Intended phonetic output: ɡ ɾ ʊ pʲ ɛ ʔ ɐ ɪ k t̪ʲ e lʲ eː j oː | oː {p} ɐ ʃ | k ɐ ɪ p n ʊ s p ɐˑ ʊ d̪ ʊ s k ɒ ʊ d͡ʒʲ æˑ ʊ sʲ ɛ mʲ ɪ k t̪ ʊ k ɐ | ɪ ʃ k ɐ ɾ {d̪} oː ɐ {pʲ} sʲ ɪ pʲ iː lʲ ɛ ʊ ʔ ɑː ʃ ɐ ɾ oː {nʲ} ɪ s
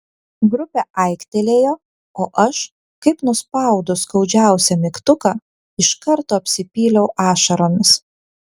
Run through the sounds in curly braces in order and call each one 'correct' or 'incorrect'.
incorrect: ʔ, incorrect: t̪, correct, incorrect: mʲ

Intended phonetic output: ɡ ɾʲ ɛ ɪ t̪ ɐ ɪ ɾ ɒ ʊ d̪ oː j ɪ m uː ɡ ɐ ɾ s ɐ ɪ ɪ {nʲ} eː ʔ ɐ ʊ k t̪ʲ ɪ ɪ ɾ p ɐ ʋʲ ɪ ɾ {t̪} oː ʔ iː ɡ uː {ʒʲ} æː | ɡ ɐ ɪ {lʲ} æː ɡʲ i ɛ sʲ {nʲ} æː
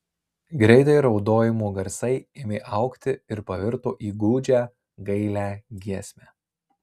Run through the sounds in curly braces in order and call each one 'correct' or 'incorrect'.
incorrect: mʲ, correct, incorrect: d͡ʒʲ, correct, incorrect: mʲ

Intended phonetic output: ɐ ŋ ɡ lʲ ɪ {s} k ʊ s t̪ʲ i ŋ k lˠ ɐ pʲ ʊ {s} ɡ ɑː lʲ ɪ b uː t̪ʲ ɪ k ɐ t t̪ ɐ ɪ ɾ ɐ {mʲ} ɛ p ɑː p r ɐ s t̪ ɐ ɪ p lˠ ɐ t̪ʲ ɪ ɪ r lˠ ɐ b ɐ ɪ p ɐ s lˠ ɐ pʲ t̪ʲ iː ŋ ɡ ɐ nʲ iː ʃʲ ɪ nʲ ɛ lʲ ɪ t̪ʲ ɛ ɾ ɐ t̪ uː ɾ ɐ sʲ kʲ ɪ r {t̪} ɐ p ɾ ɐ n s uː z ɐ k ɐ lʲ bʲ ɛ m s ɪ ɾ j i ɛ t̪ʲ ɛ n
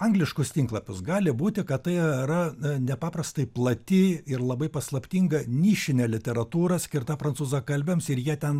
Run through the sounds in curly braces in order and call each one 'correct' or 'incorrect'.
incorrect: ʃ, correct, incorrect: nʲ, correct

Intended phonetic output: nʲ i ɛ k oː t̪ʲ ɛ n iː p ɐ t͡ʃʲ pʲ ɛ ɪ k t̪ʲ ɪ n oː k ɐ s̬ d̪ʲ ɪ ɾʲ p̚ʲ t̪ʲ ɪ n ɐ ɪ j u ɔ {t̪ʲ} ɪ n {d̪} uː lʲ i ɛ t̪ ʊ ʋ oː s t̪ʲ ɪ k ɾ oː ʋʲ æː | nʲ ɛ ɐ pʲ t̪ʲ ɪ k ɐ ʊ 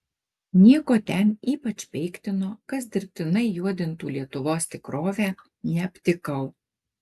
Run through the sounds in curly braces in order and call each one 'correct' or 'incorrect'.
incorrect: d̪ʲ, incorrect: t̪

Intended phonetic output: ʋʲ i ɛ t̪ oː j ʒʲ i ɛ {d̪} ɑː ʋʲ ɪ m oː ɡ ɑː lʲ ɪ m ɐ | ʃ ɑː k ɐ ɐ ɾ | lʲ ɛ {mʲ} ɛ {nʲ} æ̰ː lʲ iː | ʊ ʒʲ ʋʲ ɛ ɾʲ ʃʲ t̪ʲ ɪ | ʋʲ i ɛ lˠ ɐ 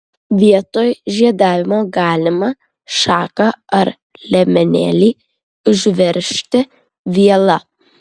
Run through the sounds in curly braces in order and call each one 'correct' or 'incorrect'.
correct, correct, correct

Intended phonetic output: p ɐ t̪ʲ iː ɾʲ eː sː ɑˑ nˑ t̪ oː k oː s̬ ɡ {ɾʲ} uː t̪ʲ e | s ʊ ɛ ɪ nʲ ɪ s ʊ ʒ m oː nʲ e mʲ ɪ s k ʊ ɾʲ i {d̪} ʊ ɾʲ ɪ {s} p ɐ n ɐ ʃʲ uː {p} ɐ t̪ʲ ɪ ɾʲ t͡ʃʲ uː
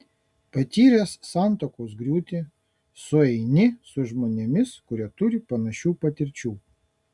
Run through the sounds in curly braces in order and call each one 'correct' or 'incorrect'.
correct, incorrect: t̪, incorrect: none, correct

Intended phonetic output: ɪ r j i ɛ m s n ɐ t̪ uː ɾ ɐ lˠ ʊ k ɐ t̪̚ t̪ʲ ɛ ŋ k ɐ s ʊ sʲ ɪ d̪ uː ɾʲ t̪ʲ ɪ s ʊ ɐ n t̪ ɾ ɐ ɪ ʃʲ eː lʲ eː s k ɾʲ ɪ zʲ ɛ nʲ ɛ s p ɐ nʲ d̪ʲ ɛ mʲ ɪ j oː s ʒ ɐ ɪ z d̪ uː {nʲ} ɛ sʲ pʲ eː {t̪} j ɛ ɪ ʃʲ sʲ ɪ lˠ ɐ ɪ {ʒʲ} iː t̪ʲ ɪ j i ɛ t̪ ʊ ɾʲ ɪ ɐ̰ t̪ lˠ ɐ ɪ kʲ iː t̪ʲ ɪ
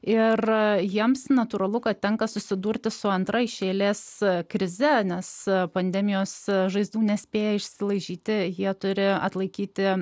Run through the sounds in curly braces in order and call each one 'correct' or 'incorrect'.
correct, incorrect: none, correct

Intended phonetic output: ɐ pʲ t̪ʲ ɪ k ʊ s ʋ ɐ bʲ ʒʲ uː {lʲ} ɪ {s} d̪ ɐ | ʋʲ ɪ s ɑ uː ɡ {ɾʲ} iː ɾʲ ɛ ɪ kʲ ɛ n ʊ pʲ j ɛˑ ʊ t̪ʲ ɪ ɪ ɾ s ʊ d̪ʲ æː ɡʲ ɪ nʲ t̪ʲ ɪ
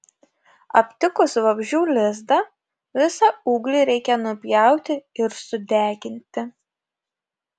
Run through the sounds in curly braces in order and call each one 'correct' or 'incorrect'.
correct, incorrect: z, incorrect: lʲ

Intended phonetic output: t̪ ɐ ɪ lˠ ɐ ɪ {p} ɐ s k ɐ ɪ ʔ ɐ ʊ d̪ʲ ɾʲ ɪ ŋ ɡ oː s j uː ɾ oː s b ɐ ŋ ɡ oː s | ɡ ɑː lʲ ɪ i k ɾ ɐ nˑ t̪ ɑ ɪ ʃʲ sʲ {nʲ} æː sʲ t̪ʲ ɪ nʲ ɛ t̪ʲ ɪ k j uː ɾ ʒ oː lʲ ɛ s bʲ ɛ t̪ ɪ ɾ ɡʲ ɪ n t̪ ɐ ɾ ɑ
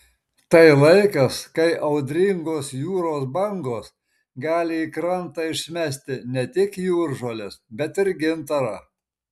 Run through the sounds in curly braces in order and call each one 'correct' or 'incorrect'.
incorrect: k, incorrect: mʲ

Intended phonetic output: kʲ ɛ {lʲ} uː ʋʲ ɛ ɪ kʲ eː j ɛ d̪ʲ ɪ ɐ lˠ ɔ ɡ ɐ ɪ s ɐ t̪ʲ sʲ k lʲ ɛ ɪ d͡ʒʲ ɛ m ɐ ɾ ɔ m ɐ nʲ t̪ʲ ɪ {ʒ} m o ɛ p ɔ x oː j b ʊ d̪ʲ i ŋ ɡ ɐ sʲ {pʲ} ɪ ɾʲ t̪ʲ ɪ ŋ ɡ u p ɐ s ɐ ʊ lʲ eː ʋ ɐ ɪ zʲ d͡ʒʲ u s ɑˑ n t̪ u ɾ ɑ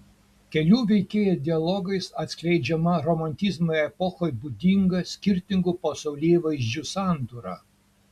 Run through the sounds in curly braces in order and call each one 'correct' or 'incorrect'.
correct, incorrect: z, incorrect: kʲ

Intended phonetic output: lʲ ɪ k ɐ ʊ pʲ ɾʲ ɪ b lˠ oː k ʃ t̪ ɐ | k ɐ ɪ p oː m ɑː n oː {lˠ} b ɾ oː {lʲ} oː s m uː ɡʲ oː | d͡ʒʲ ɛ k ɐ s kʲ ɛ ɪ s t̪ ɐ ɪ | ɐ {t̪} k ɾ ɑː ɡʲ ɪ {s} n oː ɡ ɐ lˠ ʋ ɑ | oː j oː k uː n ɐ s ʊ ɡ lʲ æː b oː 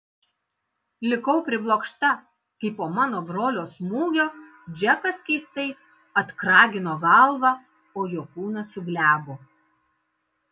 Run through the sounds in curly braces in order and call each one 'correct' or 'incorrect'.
incorrect: none, correct, correct, incorrect: none

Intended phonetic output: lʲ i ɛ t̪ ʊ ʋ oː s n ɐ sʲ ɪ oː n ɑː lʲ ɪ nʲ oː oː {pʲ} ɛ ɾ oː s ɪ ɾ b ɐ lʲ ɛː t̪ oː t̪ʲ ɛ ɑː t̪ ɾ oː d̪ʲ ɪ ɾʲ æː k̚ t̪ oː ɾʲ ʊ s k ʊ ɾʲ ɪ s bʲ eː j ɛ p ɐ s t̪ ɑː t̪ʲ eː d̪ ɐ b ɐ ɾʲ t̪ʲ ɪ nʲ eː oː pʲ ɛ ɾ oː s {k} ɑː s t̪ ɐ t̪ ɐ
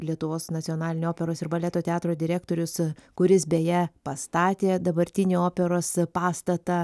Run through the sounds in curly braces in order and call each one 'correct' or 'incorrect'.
correct, incorrect: p

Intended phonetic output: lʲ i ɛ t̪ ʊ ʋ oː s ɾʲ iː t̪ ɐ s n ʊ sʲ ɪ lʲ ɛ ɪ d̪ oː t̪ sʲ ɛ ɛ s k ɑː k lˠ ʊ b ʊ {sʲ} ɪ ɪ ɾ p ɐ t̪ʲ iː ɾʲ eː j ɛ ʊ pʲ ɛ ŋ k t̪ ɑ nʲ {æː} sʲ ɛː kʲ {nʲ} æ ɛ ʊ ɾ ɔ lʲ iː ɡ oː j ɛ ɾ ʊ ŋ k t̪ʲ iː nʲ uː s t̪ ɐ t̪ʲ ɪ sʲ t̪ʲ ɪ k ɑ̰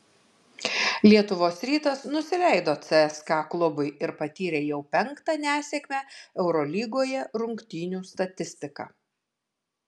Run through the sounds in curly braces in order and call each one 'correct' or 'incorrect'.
incorrect: none, correct, incorrect: mʲ

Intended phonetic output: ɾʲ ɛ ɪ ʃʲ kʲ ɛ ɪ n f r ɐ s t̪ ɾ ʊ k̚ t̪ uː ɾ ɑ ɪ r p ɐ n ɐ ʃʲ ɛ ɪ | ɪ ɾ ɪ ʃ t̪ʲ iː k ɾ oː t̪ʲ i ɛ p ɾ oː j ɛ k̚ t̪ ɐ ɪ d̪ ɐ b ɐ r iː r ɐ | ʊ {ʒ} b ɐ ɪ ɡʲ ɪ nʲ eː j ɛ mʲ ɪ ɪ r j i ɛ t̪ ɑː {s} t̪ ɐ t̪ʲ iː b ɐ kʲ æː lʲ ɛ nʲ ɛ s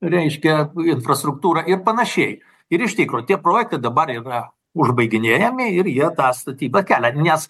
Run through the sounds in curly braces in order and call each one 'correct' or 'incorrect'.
correct, correct

